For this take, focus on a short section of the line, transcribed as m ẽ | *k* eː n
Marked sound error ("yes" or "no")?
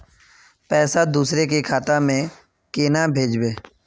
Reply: no